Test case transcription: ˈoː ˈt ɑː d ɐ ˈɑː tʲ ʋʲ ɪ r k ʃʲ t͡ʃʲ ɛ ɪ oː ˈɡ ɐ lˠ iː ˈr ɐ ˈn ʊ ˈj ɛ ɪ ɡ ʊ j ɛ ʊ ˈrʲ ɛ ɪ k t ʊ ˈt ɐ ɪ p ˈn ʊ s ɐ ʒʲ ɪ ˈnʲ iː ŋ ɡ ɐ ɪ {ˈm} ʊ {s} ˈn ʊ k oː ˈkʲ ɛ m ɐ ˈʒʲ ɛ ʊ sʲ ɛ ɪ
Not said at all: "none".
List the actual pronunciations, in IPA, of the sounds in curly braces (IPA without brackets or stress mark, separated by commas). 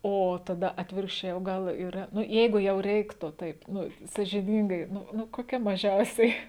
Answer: n, none